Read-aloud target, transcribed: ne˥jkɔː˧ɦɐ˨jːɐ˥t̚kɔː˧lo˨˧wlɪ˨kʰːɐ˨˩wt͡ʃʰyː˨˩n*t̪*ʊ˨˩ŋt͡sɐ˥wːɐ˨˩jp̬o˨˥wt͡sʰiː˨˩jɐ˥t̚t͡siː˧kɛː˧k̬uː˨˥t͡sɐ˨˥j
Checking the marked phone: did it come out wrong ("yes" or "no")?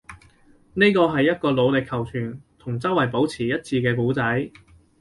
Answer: yes